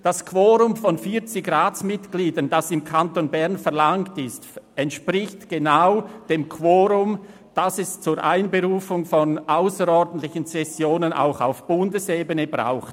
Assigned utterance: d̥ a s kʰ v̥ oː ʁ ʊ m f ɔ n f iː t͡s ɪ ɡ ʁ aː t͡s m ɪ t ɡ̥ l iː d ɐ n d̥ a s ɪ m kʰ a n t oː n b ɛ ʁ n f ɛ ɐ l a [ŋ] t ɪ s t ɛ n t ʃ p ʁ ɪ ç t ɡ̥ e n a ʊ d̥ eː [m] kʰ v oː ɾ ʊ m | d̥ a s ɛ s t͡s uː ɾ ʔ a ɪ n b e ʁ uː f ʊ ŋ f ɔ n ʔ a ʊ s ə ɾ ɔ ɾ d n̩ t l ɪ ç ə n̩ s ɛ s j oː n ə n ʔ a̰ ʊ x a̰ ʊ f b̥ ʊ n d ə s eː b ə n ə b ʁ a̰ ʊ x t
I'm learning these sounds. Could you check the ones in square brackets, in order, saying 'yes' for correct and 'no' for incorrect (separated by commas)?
yes, yes